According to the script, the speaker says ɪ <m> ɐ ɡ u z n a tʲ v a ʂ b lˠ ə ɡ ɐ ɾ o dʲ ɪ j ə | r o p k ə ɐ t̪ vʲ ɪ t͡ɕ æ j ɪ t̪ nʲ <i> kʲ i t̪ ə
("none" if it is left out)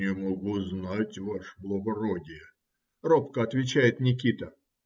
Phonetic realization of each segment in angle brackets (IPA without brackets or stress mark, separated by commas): m, ɪ